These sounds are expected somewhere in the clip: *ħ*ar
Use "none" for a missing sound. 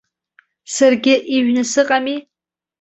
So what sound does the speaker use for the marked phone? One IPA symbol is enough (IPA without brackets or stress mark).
s